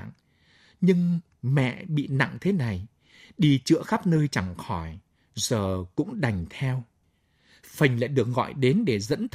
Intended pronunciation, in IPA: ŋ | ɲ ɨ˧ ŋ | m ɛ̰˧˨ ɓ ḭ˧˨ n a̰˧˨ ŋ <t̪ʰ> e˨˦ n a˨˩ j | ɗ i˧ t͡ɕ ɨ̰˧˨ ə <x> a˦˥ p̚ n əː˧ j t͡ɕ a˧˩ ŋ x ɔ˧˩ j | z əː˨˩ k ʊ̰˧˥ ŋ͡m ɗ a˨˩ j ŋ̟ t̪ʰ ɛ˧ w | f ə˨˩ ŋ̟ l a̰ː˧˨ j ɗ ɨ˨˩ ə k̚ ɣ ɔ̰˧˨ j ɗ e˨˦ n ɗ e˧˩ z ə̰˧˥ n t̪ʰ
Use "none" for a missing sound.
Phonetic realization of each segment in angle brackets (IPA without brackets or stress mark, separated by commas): t̪ʰ, x